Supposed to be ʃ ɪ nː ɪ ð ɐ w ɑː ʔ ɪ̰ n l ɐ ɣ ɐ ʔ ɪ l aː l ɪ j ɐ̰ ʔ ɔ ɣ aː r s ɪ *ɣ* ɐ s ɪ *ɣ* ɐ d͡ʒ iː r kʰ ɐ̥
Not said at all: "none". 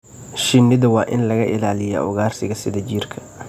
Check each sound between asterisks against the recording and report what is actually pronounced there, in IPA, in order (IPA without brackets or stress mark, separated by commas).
ɣ, ð